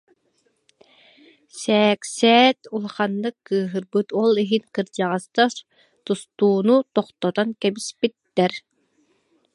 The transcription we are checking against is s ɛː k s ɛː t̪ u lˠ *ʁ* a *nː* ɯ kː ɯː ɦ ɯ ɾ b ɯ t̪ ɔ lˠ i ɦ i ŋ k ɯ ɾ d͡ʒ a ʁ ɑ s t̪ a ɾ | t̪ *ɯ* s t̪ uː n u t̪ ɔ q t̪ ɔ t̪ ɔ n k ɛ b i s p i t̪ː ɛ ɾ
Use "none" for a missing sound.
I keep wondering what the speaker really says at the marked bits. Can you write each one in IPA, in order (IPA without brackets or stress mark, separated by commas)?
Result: χ, nː, u